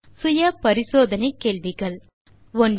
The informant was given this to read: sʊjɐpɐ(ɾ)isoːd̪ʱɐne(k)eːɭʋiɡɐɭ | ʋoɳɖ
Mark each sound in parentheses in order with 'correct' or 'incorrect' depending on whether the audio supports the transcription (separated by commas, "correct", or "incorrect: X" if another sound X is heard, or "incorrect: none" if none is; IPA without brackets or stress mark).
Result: correct, correct